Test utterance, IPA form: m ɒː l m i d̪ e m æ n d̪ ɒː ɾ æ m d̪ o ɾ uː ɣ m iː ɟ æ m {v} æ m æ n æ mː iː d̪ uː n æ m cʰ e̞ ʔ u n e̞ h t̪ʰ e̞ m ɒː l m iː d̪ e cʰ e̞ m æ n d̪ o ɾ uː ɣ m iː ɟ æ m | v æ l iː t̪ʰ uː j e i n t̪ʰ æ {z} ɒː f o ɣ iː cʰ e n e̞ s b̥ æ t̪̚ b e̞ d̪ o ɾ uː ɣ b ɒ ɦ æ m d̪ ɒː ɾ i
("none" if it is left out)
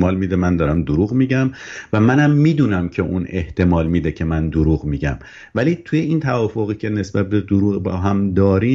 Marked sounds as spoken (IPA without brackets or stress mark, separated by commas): v, v